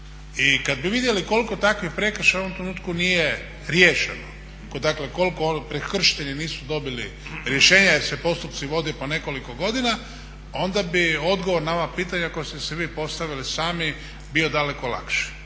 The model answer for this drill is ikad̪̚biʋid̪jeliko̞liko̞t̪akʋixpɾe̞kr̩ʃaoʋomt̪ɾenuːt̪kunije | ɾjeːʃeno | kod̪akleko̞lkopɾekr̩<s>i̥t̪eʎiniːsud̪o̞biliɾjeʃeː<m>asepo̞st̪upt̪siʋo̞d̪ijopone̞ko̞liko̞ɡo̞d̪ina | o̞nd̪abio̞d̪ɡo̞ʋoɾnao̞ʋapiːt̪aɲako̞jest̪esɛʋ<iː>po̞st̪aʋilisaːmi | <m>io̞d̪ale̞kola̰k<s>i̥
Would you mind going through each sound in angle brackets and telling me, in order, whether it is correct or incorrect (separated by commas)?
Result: incorrect, incorrect, correct, incorrect, incorrect